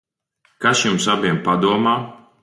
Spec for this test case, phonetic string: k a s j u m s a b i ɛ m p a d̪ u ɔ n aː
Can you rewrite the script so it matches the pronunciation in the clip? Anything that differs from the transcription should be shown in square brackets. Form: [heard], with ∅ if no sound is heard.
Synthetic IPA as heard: k a s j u m s a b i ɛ m p a d̪ u ɔ [m] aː